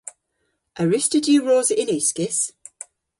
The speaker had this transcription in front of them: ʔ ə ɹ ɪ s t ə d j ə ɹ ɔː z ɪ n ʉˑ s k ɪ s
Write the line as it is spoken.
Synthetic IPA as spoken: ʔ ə ɹ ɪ s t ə d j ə ɹ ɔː z ɪ n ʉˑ s k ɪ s